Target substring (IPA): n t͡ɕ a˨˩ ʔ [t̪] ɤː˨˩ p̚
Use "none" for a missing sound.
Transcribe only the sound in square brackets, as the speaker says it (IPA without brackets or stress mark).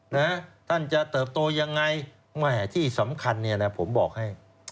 t̪